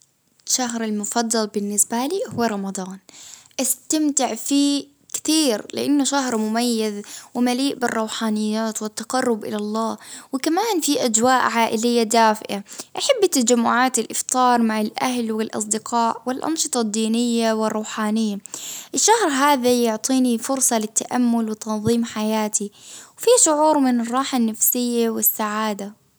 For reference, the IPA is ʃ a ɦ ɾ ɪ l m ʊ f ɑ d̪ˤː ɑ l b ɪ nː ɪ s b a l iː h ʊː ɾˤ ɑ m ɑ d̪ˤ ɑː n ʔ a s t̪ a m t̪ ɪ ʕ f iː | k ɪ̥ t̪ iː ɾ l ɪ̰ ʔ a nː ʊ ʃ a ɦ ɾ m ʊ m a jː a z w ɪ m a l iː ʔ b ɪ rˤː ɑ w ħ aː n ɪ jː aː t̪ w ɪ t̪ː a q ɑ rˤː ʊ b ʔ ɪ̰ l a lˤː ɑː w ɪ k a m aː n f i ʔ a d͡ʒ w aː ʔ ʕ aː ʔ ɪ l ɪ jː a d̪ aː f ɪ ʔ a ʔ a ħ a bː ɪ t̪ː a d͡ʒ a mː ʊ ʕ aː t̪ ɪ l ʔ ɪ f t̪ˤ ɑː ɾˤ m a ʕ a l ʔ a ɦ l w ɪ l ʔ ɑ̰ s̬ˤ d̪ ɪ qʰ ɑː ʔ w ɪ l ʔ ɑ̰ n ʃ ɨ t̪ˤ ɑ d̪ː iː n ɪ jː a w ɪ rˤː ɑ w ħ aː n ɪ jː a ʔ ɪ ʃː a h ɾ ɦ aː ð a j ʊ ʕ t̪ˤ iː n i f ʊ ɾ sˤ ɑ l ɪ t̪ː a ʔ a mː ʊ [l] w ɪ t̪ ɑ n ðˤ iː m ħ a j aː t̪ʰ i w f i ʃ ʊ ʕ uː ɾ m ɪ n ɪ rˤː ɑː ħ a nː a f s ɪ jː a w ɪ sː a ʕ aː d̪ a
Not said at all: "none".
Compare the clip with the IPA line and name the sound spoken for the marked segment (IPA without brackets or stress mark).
l